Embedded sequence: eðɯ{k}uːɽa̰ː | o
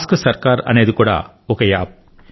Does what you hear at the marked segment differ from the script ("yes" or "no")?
no